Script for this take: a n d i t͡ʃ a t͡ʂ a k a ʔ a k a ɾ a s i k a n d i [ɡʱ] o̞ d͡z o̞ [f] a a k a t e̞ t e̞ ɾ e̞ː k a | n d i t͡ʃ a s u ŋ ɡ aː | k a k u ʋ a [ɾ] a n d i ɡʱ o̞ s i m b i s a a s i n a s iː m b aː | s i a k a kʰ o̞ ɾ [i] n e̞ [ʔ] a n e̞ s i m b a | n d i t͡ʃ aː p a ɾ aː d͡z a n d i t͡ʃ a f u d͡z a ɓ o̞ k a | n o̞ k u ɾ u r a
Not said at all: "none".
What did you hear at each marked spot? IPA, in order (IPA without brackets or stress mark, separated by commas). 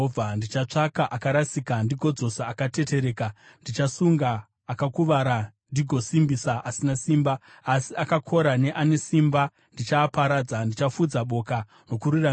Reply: ɡʱ, s, ɾ, a, ʔ